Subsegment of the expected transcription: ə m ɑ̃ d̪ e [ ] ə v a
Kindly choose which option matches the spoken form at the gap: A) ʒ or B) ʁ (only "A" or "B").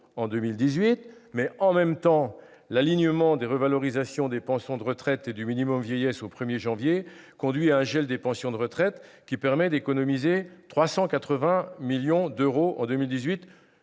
B